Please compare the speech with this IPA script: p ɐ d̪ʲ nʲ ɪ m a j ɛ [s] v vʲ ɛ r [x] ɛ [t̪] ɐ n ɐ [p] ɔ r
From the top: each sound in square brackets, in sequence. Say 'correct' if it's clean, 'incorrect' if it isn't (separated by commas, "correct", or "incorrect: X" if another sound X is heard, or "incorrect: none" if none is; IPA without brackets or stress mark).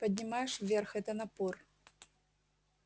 incorrect: ʂ, correct, correct, correct